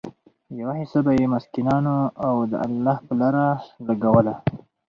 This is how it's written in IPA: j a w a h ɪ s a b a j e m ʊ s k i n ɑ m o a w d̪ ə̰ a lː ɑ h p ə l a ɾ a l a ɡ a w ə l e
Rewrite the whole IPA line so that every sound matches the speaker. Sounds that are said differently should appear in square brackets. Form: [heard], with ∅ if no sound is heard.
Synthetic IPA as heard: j a w a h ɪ s a b a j e m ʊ s k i n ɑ [n] o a w d̪ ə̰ a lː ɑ h p ə l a ɾ a l a ɡ a w ə l [a]